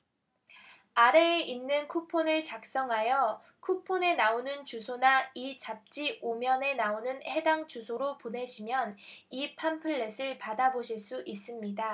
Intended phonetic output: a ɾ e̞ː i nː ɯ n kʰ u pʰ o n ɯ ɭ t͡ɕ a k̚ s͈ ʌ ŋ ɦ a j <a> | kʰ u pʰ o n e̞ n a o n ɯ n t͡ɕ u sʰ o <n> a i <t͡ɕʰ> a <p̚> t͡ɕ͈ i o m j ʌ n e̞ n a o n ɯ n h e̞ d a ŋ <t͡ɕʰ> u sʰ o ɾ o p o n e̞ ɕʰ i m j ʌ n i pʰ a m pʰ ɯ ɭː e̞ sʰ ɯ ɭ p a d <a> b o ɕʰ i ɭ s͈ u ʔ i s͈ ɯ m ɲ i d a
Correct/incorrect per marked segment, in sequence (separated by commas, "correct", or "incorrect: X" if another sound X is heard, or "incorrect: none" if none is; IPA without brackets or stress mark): incorrect: ʌ, correct, incorrect: t͡ɕ, correct, incorrect: t͡ɕ, correct